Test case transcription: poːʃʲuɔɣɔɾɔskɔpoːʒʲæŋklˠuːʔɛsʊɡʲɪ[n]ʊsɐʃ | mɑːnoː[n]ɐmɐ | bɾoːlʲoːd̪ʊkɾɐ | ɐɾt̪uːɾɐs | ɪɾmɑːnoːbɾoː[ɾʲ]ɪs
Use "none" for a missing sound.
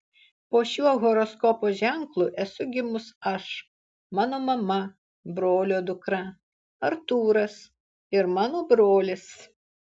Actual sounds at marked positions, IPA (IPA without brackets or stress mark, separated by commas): m, m, lʲ